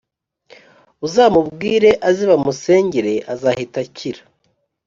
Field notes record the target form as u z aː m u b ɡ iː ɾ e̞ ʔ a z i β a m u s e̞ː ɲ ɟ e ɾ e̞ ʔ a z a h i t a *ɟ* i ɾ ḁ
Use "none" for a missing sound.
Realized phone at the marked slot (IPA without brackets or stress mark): c